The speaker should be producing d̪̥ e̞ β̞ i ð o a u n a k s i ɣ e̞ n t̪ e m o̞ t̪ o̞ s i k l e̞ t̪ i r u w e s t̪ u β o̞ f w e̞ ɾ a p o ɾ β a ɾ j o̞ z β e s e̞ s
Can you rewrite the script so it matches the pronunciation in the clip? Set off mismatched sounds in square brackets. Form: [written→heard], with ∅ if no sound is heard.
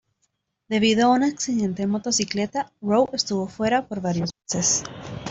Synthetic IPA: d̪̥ e̞ β̞ i ð o a u n a k s i [ɣ→ð] e̞ n t̪ e m o̞ t̪ o̞ s i k l e̞ t̪ [i→a] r [u→o] w e s t̪ u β o̞ f w e̞ ɾ a p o ɾ β a ɾ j o̞ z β e s e̞ s